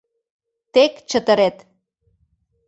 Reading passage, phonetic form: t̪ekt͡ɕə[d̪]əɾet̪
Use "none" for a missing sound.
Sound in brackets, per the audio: t̪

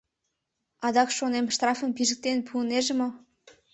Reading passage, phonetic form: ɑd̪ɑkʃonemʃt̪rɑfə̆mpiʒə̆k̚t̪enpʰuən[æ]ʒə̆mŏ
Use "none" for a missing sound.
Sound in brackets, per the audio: e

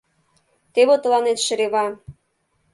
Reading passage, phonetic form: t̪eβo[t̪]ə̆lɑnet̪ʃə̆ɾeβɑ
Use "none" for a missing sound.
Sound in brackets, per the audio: t̪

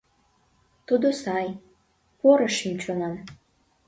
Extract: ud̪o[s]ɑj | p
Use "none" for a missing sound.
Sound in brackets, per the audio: s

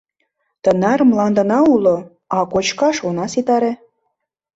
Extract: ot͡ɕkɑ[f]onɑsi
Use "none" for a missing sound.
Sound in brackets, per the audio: ʃ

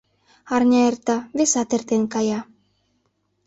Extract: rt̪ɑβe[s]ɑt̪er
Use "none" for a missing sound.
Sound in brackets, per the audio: s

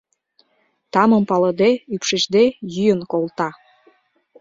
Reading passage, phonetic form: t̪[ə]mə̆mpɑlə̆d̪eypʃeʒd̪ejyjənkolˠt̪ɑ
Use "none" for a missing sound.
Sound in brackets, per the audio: ɑ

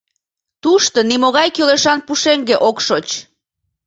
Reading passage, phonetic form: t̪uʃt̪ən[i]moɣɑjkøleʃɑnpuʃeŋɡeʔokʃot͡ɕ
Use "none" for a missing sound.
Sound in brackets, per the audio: i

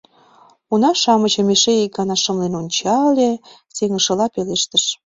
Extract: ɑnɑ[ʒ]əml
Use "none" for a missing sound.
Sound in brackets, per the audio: ʃ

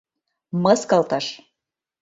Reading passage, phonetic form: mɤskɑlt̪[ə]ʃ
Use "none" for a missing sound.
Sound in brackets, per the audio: ɑ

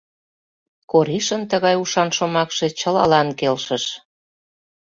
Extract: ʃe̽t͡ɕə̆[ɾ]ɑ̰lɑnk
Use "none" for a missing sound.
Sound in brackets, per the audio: l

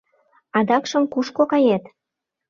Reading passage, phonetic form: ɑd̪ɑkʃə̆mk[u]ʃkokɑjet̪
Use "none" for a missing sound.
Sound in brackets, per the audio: u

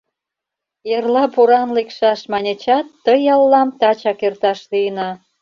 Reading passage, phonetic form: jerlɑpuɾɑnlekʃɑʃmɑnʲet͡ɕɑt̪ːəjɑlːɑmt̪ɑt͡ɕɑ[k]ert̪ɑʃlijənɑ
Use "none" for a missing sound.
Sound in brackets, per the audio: k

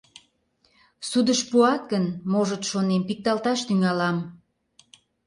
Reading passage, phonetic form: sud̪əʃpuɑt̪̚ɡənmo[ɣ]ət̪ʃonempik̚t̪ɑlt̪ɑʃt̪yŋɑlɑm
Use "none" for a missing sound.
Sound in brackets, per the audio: ʒ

